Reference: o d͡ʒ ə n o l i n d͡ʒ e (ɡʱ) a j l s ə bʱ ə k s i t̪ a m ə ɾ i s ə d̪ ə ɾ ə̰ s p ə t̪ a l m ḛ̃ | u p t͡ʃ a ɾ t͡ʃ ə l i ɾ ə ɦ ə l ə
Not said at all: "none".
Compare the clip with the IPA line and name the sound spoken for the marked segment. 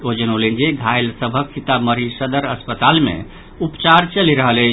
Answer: ɡʱ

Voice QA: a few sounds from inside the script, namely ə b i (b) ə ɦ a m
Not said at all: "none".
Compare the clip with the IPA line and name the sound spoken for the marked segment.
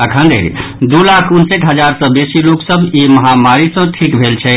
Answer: m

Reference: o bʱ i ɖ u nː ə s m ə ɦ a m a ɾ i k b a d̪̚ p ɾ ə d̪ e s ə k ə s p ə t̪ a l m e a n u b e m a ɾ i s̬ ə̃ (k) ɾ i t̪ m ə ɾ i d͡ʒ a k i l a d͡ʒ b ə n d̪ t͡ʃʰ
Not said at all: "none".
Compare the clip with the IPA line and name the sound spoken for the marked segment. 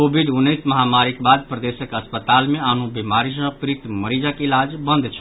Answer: p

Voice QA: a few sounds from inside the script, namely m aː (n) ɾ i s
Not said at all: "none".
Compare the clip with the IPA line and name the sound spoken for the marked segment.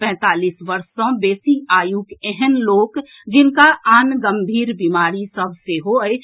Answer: none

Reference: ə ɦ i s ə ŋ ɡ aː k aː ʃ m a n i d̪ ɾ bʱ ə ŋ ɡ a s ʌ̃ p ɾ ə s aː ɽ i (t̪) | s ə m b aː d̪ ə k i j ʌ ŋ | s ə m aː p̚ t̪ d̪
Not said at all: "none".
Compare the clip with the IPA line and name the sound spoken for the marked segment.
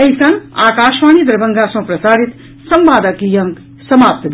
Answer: t̪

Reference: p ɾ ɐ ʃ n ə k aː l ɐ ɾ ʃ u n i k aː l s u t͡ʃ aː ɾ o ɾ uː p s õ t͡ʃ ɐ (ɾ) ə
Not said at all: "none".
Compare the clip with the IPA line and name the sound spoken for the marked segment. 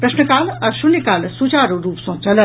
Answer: l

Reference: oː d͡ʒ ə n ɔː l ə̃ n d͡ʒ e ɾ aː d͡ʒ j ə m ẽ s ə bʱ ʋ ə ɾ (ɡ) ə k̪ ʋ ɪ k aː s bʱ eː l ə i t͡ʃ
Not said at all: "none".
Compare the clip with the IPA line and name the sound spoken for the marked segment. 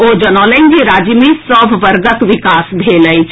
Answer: ɡ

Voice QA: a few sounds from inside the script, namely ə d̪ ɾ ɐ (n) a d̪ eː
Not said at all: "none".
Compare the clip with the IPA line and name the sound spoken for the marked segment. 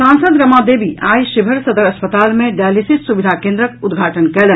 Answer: m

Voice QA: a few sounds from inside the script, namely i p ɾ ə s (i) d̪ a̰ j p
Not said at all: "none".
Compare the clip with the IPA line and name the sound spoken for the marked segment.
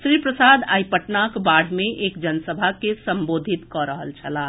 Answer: a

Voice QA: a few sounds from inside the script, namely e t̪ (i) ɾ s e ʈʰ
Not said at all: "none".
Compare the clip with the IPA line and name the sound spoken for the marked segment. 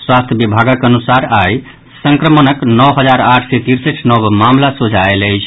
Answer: i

